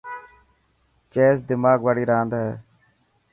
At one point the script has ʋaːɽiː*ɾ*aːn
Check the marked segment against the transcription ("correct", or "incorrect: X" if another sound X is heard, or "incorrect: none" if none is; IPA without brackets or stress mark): correct